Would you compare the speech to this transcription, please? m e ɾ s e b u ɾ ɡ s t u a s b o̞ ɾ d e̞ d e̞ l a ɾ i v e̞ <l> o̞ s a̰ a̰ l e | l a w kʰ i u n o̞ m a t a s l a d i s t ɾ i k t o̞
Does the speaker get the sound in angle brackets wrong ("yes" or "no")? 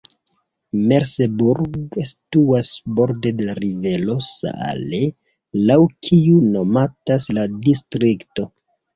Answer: no